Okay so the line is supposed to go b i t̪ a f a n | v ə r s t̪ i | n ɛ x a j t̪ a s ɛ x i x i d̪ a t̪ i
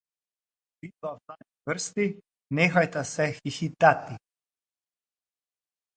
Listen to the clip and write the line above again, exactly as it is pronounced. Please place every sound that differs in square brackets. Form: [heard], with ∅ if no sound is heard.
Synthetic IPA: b i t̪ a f a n | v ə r s t̪ i | n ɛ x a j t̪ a s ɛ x i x i [t̪] a t̪ i